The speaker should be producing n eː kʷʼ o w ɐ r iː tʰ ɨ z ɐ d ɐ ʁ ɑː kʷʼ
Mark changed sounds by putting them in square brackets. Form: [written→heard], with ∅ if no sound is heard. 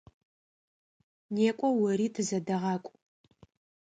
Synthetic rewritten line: n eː kʷʼ [o→ɔ] w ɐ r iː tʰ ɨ z ɐ d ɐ ʁ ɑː kʷʼ